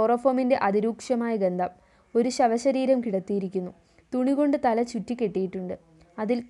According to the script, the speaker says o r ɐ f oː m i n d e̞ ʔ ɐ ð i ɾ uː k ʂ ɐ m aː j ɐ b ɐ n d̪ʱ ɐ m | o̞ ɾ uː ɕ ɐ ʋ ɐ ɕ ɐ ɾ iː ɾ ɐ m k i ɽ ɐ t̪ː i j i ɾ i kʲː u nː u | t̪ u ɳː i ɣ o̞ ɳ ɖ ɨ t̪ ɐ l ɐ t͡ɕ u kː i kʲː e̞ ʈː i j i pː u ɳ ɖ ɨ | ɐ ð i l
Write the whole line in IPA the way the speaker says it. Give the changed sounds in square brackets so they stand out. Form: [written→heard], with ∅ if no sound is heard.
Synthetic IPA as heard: o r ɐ f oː m i n d e̞ ʔ ɐ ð i ɾ uː k ʂ ɐ m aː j ɐ [b→ɡ] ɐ n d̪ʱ ɐ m | o̞ ɾ [uː→u] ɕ ɐ ʋ ɐ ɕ ɐ ɾ iː ɾ ɐ m k i ɽ ɐ t̪ː i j i ɾ i kʲː u nː u | t̪ u [ɳː→ɳ] i ɣ o̞ ɳ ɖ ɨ t̪ ɐ l ɐ t͡ɕ u [kː→tː] i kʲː e̞ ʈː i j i [pː→ʈː] u ɳ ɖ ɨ | ɐ ð i l